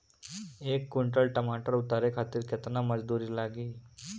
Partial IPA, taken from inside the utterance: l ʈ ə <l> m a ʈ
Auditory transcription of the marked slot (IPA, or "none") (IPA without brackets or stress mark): none